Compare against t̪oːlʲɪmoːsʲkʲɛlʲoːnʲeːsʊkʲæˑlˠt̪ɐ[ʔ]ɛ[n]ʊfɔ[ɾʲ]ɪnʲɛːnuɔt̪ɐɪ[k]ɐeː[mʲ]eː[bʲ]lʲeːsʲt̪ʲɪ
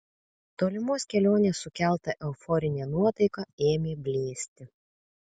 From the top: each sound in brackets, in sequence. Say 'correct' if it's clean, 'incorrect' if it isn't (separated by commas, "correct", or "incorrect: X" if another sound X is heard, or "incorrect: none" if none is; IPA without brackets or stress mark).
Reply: correct, incorrect: none, correct, correct, correct, correct